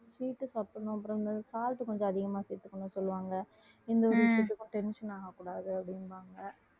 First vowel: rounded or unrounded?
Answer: unrounded